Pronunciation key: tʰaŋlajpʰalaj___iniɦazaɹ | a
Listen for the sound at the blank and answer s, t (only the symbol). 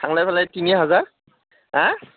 t